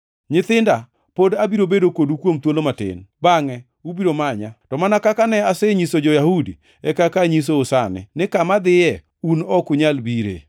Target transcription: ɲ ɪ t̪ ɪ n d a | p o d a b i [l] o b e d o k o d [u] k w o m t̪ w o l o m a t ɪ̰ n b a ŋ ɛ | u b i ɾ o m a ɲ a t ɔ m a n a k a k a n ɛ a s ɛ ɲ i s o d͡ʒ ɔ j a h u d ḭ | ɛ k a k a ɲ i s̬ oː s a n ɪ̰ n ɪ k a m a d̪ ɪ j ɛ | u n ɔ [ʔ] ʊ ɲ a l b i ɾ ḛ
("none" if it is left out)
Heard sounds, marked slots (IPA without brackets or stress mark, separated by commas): ɾ, u, k